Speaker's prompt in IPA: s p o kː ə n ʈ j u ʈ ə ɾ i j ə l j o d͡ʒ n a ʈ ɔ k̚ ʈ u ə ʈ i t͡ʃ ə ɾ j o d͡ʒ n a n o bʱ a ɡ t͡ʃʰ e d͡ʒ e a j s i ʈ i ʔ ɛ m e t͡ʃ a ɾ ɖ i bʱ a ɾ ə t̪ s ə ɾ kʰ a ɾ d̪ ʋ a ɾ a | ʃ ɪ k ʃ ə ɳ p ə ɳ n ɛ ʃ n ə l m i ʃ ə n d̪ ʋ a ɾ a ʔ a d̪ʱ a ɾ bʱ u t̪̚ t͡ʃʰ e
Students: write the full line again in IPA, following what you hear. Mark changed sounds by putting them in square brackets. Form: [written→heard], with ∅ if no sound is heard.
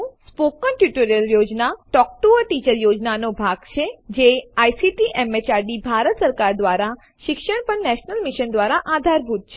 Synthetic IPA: s p o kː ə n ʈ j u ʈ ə ɾ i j ə l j o d͡ʒ n a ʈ ɔ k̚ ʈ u ə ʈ i t͡ʃ ə ɾ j o d͡ʒ n a n o bʱ a ɡ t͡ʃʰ e d͡ʒ e a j s i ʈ i ʔ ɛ m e t͡ʃ a ɾ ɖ i bʱ a ɾ ə t̪ s ə ɾ [kʰ→k] a ɾ d̪ ʋ a ɾ a | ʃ ɪ k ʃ ə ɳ p ə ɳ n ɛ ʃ n ə l m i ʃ ə n d̪ ʋ a ɾ a ʔ a d̪ʱ a ɾ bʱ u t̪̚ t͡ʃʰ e

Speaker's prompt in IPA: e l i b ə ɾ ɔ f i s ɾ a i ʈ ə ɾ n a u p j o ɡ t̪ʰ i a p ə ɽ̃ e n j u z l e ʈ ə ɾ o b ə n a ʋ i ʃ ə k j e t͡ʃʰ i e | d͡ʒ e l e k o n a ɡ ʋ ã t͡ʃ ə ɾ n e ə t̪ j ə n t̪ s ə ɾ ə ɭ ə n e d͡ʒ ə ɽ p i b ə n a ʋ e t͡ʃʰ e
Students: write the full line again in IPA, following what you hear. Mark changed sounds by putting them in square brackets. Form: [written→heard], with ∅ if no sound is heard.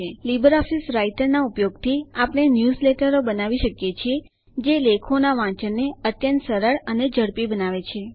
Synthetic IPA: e l i b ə ɾ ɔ f i s ɾ a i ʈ ə ɾ n a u p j o ɡ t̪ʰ i a p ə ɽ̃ e n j u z l e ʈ ə ɾ o b ə n a ʋ i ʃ ə k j e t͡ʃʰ i e | d͡ʒ e l e [k→kʰ] o n a [ɡ→∅] ʋ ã t͡ʃ ə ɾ n e ə t̪ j ə n t̪ s ə ɾ ə ɭ ə n e d͡ʒ ə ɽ p i b ə n a ʋ e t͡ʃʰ e

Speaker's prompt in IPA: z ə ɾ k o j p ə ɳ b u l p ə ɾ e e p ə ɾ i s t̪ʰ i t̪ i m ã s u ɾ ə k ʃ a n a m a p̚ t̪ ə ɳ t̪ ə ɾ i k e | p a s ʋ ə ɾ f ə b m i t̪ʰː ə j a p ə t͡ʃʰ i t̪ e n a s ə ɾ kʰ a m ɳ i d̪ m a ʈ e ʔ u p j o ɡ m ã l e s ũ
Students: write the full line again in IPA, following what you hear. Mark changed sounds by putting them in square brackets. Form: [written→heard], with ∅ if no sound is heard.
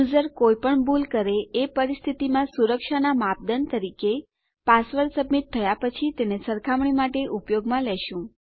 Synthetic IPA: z ə ɾ k o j p ə ɳ b u l [p→k] ə ɾ e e p ə ɾ i s t̪ʰ i t̪ i m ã s u ɾ ə k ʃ a n a m a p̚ [t̪→d̪] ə [ɳ→n] t̪ ə ɾ i k e | p a s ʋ ə ɾ [f→s] ə b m i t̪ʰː ə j a p ə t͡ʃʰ i t̪ e n [a→e] s ə ɾ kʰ a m ɳ i [d̪→∅] m a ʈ e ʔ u p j o ɡ m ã l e [s→ʃ] ũ

